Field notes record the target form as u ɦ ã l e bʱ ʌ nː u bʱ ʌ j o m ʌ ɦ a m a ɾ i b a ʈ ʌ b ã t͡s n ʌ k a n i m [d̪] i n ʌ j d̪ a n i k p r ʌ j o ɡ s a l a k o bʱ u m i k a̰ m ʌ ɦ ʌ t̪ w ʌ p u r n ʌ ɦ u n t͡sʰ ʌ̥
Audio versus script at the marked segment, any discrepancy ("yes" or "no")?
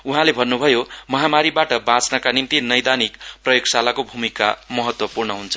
yes